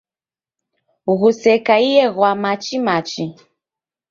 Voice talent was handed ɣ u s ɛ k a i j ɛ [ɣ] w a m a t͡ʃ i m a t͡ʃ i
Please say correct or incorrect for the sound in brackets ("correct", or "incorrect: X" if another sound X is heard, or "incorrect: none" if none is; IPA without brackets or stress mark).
correct